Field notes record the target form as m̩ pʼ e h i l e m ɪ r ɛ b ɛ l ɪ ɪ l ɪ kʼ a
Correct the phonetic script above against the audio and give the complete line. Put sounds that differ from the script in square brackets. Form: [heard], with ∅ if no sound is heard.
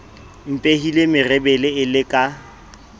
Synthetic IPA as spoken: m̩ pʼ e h i l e m ɪ r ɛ b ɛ l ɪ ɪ l ɪ kʼ a